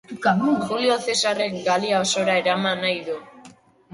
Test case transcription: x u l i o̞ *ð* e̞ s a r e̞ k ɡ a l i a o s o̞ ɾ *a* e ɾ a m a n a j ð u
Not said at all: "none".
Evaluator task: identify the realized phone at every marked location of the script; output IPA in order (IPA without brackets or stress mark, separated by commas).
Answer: θ, a